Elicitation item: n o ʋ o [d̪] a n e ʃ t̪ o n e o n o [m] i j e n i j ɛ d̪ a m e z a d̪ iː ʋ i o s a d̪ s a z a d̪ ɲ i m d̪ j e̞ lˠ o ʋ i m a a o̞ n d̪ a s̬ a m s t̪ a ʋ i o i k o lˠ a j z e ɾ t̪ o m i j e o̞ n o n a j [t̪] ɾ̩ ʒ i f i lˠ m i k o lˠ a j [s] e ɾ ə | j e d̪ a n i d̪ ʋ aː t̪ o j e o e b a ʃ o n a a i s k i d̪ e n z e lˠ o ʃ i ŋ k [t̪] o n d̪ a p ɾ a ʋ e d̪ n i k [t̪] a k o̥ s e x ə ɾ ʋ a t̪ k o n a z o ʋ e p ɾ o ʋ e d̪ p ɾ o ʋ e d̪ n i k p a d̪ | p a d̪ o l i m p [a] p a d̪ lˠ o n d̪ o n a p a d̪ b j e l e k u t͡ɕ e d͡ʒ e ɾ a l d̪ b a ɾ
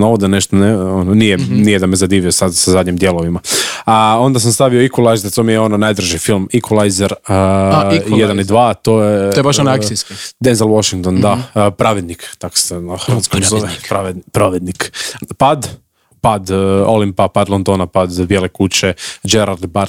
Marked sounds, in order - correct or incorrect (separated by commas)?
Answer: correct, incorrect, incorrect, incorrect, correct, correct, correct